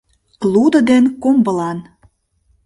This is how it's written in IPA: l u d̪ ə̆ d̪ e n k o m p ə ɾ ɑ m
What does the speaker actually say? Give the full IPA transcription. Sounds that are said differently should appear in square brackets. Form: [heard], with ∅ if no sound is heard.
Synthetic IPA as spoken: l u d̪ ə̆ d̪ e n k o m [b] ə [l] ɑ [n]

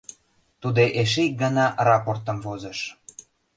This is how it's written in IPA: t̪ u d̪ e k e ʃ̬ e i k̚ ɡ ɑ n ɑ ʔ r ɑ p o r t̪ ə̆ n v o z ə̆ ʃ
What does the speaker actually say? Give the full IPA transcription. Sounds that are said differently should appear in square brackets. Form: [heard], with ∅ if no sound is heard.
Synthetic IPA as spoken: t̪ u d̪ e [ʔ] e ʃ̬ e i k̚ ɡ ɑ n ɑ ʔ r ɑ p o r t̪ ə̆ [m] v o z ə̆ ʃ

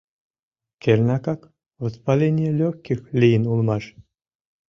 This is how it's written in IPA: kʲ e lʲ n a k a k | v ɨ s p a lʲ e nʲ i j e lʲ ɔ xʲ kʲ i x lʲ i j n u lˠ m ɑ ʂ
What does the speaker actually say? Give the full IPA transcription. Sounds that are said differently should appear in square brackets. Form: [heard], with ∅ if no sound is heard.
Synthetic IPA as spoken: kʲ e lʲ n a k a k | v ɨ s p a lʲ e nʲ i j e lʲ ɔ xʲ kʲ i x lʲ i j n u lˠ m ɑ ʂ

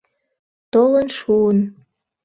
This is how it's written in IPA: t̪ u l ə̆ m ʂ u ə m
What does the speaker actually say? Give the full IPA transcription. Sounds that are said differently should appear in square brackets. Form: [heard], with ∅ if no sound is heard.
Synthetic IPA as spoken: t̪ [o] l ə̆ [n] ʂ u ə [n]

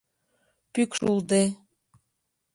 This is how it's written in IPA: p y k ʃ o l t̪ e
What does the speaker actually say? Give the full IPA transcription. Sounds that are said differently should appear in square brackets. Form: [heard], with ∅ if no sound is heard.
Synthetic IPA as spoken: p y k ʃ [u] l [d̪] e

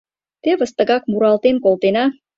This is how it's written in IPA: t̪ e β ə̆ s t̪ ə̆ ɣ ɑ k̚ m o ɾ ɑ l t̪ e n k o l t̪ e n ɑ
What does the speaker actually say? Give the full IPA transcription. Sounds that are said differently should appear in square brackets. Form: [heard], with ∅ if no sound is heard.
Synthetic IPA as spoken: t̪ e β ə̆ s t̪ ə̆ ɣ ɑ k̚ m [u] ɾ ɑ l t̪ e n k o l t̪ e n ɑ

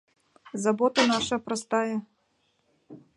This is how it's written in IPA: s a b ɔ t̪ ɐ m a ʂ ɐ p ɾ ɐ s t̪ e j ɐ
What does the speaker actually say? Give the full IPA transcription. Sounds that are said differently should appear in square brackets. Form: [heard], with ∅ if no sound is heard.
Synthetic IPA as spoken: [z] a b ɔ t̪ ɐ [n] a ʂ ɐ p ɾ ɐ s t̪ [a] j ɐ

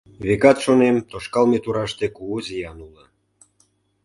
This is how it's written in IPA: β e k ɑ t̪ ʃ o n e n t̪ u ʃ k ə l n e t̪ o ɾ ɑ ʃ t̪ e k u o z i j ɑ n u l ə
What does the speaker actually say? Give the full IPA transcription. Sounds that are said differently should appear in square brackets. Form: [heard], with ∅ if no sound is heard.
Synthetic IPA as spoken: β e k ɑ t̪ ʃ o n e [m] t̪ [o] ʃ k [ɑ] l [m] e t̪ [u] ɾ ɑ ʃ t̪ e k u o z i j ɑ n u l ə

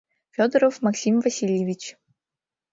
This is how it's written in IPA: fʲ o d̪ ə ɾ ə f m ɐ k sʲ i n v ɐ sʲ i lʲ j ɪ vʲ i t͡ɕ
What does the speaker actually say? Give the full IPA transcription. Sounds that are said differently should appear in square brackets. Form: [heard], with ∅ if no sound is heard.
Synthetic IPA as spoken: fʲ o d̪ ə ɾ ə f m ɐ k sʲ i [m] v ɐ sʲ i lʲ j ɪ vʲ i t͡ɕ

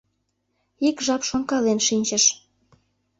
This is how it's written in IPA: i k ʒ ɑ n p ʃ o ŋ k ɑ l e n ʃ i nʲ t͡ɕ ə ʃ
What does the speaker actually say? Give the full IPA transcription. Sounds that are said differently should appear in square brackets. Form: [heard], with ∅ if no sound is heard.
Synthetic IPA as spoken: i k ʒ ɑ [∅] p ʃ o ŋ k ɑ l e n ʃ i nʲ t͡ɕ ə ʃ

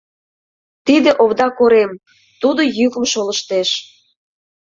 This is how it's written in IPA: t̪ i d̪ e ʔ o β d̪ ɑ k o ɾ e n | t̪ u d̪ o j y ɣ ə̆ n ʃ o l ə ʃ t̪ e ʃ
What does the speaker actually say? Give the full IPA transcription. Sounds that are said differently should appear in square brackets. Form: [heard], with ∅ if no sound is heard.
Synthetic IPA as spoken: t̪ i d̪ e ʔ o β d̪ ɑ k o ɾ e [m] | t̪ u d̪ o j y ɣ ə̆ [m] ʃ o l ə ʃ t̪ e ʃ

